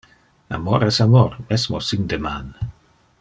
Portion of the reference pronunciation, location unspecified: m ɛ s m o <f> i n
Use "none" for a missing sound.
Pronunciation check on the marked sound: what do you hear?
s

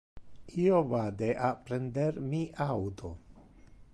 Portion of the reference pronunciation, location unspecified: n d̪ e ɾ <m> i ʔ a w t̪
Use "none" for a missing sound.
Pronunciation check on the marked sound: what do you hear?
m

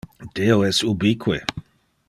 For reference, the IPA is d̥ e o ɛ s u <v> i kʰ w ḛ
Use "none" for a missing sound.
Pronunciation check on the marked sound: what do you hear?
b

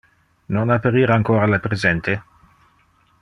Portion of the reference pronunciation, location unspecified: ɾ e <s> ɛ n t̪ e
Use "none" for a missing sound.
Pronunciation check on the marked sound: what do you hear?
z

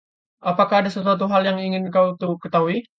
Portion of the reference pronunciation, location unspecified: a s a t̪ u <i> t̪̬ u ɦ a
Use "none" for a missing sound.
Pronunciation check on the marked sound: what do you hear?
a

